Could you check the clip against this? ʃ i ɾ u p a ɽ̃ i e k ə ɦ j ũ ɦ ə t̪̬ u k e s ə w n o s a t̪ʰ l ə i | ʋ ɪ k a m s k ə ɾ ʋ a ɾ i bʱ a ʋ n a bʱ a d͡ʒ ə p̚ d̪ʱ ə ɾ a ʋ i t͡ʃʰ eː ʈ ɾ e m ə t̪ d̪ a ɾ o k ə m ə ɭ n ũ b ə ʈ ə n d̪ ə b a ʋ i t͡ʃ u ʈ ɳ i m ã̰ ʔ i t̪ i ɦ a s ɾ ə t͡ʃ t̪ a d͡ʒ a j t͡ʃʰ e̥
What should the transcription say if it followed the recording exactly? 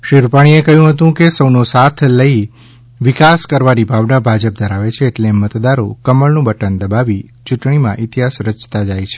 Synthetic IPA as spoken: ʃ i ɾ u p a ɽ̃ i e k ə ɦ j ũ ɦ ə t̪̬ ũ k e s ə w n o s a t̪ʰ l ə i | ʋ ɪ k a s k ə ɾ ʋ a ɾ i bʱ a ʋ n a bʱ a d͡ʒ ə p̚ d̪ʱ ə ɾ a ʋ e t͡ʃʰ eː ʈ l e m ə t̪ d̪ a ɾ o k ə m ə ɭ n ũ b ə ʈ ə n d̪ ə b a ʋ i t͡ʃ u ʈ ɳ i m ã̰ ʔ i t̪ i ɦ a s ɾ ə t͡ʃ t̪ a d͡ʒ a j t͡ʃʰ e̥